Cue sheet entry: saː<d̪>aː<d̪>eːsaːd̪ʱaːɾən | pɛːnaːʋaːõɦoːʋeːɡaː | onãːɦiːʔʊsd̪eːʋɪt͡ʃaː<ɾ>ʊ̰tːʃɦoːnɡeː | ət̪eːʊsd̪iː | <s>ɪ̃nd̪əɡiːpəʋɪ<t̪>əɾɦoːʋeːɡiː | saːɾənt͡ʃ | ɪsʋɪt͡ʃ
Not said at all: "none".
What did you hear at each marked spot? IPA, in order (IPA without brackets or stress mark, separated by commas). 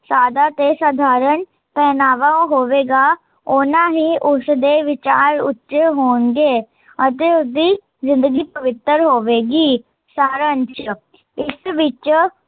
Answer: d̪, t̪, ɾ, z, t̪